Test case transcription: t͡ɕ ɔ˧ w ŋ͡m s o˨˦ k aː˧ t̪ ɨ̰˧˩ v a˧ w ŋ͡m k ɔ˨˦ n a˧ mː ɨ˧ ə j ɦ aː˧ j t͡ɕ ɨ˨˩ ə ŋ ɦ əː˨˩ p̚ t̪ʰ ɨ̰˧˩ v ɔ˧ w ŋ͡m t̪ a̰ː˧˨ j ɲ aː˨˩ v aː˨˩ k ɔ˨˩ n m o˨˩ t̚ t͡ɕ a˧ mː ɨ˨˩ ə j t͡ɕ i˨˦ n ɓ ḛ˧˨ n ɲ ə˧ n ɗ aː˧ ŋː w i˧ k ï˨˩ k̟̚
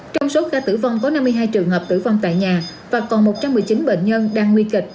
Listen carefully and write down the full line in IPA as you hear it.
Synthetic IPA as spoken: t͡ɕ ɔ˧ w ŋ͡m s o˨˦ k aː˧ t̪ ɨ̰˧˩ v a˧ w ŋ͡m k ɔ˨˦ n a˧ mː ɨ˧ ə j ɦ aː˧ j t͡ɕ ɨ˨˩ ə ŋ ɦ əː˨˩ p̚ t̪ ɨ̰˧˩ v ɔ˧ w ŋ͡m t̪ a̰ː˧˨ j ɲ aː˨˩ v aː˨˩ k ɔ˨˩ n m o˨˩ t̚ t͡ɕ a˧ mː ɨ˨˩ ə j t͡ɕ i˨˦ n ɓ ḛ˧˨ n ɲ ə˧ n ɗ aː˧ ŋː w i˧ k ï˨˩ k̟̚

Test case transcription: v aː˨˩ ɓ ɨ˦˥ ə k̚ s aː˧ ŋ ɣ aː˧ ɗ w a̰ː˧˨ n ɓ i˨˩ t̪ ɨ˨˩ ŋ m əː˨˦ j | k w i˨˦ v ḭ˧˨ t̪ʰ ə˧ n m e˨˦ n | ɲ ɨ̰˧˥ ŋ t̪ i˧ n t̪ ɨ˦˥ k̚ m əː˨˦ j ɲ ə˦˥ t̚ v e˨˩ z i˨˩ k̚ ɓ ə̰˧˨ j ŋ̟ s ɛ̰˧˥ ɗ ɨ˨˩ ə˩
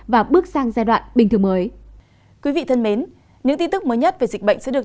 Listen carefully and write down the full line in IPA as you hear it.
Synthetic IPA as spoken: v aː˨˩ ɓ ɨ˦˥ ə k̚ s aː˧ ŋ z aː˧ ɗ w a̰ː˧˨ n ɓ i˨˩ t̪ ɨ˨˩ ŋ m əː˨˦ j | k w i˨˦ v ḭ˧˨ t̪ʰ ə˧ n m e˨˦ n | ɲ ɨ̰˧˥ ŋ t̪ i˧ n t̪ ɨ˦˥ k̚ m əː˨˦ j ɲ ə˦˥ t̚ v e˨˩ z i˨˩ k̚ ɓ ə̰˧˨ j ŋ̟ s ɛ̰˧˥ ɗ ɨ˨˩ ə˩

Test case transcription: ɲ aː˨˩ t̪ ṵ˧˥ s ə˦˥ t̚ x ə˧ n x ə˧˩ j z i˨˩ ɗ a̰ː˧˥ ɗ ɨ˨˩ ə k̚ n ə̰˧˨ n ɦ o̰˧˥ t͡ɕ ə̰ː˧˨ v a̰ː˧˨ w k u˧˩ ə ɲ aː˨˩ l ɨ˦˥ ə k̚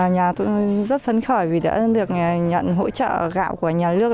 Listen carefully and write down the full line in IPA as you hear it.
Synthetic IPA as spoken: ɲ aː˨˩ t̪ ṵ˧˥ z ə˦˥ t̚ f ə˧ n x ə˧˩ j v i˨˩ ɗ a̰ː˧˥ ɗ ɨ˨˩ ə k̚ ɲ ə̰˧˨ n ɦ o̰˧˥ t͡ɕ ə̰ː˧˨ ɣ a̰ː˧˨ w k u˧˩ ə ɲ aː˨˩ l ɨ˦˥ ə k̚

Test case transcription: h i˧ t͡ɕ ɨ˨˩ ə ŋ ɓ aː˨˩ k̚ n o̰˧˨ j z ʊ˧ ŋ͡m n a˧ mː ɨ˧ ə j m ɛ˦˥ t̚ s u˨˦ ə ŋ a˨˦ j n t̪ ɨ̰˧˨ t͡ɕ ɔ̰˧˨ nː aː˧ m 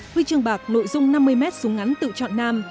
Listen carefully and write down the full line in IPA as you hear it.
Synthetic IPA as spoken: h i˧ t͡ɕ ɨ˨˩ ə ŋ ɓ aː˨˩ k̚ n o̰˧˨ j z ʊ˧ ŋ͡m n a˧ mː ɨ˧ ə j m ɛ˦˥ t̚ s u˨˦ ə ŋ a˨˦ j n t̪ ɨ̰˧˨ t͡ɕ ɔ̰˧˨ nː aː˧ m

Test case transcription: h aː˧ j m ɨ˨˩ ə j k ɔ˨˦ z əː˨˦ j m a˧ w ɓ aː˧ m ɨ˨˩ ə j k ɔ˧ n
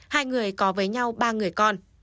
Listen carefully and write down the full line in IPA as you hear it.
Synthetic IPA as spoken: h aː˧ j ŋ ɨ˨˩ ə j k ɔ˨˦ v əː˨˦ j ɲ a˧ w ɓ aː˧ ŋ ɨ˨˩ ə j k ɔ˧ n

